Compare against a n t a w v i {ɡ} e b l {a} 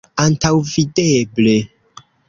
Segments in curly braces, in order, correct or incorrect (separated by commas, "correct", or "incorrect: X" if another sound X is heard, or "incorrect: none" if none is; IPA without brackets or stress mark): incorrect: d, incorrect: e